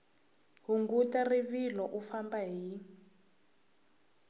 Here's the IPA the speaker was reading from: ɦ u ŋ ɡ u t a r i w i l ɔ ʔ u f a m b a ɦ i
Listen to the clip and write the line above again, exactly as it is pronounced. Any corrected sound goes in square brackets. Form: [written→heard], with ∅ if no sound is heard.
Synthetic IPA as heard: ɦ u ŋ ɡ u t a r i [w→β] i l ɔ ʔ u f a m b a ɦ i